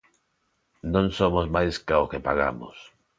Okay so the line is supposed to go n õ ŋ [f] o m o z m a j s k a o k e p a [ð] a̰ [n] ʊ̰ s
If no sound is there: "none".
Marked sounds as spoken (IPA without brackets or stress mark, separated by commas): s, ɣ, m